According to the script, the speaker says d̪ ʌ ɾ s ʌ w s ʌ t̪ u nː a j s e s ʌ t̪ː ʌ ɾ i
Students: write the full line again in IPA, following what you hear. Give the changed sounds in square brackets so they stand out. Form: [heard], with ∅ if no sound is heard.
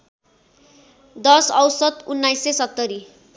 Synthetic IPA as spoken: d̪ ʌ [∅] s ʌ w s ʌ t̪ u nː a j s e s ʌ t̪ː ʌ ɾ i